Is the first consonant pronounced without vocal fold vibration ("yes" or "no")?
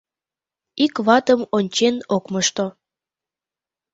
yes